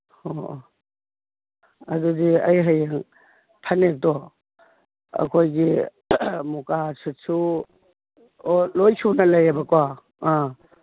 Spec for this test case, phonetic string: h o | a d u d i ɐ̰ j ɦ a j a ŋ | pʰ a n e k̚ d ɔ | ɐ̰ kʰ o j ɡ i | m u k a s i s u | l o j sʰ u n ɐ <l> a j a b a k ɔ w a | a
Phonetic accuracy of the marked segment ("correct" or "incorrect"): correct